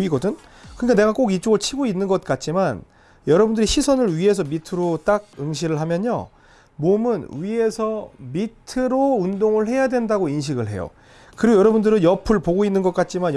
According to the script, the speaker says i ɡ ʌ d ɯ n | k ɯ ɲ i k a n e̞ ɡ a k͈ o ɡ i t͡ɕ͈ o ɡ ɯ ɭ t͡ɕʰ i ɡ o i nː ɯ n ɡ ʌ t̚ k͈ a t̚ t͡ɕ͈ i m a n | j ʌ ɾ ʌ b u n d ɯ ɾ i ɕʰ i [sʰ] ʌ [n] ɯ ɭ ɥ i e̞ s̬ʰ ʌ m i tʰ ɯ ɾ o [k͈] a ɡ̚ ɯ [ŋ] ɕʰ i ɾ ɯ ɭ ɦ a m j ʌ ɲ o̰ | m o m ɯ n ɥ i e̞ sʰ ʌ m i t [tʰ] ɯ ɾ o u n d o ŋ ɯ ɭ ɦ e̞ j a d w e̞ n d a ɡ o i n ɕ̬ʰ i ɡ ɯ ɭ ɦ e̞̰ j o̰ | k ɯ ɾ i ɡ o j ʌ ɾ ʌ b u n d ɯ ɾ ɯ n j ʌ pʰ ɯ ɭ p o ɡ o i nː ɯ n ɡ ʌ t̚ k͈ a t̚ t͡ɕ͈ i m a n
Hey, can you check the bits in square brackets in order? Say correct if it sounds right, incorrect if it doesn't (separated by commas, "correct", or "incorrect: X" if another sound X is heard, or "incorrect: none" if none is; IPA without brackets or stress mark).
correct, correct, incorrect: t͈, correct, correct